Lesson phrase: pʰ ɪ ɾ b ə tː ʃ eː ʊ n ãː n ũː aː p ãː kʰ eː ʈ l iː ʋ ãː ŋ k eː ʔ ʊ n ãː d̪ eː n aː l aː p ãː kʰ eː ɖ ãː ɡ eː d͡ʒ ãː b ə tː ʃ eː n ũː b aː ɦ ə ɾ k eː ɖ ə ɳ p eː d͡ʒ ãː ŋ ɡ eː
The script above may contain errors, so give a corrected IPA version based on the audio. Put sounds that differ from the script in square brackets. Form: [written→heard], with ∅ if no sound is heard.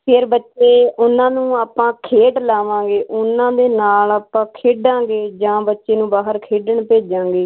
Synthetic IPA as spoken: pʰ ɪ ɾ b ə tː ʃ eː ʊ n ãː n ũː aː p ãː kʰ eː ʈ l [iː→aː] ʋ ãː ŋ [k→ɡ] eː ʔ ʊ n ãː d̪ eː n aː l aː p ãː kʰ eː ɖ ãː ɡ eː d͡ʒ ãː b ə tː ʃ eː n ũː b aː ɦ ə ɾ [k→kʰ] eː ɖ ə ɳ p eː d͡ʒ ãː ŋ ɡ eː